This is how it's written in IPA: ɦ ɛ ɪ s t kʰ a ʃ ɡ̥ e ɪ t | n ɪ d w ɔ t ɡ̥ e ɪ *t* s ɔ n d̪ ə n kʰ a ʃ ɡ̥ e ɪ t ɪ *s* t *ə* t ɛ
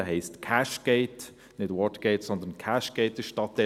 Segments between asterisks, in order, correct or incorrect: correct, incorrect, incorrect

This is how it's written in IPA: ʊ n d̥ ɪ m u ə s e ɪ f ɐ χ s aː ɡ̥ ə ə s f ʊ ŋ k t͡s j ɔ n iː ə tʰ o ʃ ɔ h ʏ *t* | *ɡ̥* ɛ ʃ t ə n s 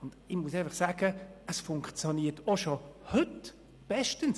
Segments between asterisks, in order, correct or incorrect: correct, incorrect

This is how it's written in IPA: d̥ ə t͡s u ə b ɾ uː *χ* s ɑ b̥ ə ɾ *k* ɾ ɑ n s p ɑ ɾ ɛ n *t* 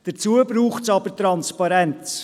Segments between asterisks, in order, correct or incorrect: correct, incorrect, incorrect

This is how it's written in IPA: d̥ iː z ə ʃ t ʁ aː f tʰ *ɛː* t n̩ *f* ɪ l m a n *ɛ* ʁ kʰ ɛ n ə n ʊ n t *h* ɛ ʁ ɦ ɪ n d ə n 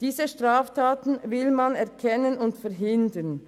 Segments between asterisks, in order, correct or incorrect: incorrect, incorrect, correct, incorrect

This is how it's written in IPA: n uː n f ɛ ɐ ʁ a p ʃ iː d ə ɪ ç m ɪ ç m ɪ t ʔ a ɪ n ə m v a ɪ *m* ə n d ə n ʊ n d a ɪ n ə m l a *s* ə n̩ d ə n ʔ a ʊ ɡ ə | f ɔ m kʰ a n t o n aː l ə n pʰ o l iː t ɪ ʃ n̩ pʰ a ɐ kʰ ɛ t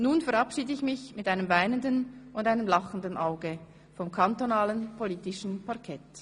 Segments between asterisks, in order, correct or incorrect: incorrect, incorrect

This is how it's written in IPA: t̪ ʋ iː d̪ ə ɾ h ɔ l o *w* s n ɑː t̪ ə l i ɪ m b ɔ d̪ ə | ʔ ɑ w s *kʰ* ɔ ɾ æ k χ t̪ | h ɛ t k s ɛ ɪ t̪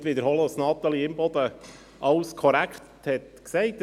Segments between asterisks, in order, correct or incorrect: incorrect, correct

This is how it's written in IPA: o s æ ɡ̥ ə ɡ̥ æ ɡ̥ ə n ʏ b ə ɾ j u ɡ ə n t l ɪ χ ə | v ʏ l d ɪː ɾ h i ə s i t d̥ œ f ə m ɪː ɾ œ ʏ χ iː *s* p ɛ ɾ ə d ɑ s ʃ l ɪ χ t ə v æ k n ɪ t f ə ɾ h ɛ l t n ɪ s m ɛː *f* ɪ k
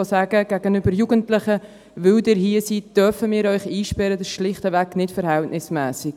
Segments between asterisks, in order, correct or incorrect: incorrect, incorrect

